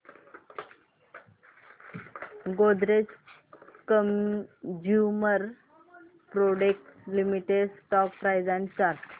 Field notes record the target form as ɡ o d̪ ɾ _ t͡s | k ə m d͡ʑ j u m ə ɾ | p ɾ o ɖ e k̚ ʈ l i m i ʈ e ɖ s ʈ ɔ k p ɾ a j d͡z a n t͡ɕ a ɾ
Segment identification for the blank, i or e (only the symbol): e